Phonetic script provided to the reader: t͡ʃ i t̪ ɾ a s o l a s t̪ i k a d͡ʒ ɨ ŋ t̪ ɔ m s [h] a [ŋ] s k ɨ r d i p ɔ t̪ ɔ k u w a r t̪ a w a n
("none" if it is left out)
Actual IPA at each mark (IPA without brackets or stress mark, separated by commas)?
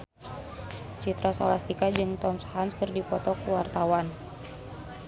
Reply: h, n